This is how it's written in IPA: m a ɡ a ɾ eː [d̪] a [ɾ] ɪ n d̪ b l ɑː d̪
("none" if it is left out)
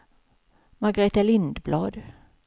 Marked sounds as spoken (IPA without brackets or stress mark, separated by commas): t̪, l